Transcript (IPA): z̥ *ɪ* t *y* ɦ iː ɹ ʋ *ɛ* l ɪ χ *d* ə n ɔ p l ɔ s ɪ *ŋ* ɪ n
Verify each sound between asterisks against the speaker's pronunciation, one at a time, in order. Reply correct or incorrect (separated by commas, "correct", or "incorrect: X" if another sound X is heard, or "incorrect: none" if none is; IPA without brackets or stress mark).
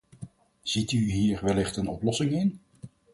incorrect: i, correct, correct, incorrect: t, correct